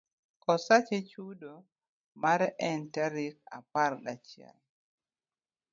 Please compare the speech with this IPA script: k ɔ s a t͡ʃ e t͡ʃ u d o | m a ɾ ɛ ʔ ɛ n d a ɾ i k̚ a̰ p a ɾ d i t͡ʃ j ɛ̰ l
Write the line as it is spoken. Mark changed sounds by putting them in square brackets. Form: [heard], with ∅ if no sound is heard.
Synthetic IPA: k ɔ s a t͡ʃ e t͡ʃ u d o | m a ɾ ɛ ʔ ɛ n [t] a ɾ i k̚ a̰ p a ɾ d [a] t͡ʃ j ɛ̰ l